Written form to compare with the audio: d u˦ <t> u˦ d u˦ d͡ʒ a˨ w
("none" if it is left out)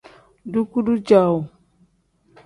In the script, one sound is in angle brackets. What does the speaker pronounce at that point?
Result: k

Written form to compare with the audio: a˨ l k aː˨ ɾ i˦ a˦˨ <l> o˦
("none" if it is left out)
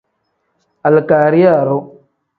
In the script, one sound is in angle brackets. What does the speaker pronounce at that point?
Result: ɾ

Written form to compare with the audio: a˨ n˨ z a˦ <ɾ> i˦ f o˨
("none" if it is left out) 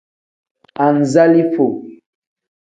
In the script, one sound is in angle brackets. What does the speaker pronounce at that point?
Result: l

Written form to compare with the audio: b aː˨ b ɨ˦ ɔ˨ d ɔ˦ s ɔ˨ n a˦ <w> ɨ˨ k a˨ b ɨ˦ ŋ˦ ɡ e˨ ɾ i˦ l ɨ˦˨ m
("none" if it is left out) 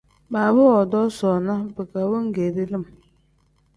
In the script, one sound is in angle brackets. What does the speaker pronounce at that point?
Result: b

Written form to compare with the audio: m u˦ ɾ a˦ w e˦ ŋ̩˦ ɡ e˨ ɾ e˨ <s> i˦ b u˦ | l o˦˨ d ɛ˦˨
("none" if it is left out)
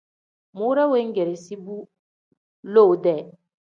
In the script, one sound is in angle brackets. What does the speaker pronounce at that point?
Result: s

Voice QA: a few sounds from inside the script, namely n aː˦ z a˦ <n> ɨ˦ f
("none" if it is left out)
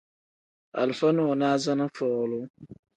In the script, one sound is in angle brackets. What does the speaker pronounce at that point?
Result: n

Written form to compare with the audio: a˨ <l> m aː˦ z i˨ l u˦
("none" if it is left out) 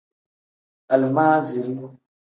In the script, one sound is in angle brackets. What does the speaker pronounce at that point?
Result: l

